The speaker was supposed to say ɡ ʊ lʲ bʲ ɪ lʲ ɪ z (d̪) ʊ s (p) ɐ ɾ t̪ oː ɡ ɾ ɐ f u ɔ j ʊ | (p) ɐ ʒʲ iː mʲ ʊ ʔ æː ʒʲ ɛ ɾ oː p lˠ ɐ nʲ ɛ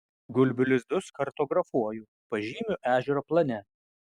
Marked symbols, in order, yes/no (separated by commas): yes, no, yes